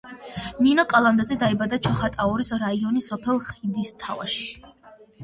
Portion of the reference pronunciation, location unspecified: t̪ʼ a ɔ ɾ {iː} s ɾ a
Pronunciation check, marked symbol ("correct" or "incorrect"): incorrect